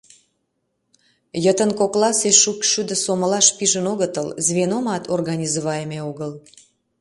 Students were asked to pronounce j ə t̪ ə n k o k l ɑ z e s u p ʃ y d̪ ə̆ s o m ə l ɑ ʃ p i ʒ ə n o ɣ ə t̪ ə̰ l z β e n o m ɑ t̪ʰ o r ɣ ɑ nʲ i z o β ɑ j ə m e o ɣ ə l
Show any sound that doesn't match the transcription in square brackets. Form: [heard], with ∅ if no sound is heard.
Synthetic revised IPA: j ə t̪ ə n k o k l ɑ [s] e [ʃ] u [k] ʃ y d̪ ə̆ s o m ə l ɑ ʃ p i ʒ ə n o ɣ ə t̪ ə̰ l z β e n o m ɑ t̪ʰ o r ɣ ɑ nʲ i z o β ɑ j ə m e o ɣ ə l